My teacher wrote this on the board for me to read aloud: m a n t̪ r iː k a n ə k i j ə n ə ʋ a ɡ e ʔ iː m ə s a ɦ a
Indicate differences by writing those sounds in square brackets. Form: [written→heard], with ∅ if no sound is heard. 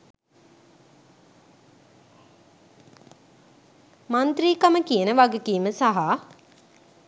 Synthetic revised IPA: m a n t̪ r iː k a [n→m] ə k i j ə n ə ʋ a ɡ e [ʔ→k] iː m ə s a ɦ a

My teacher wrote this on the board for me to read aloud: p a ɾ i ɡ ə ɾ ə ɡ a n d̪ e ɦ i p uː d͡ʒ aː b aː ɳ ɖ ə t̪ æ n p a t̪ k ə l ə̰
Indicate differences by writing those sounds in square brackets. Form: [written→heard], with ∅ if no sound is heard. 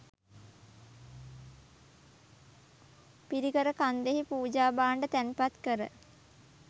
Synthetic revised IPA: p [a→i] ɾ i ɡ ə ɾ ə [ɡ→k] a n d̪ e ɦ i p uː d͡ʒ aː b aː ɳ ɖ ə t̪ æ n p a t̪ k ə [l→ɾ] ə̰

